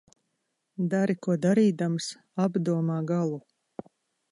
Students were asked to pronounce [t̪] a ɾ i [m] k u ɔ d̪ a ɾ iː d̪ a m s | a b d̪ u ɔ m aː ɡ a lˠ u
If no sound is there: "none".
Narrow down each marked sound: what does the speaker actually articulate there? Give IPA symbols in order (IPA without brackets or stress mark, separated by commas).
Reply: d̪, none